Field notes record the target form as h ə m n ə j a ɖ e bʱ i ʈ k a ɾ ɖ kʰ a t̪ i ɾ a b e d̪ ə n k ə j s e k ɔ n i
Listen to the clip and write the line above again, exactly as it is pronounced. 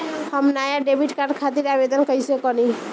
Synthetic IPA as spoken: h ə m n a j a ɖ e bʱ i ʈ k a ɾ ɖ kʰ a t̪ i ɾ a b e d̪ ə n k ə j s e k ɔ n i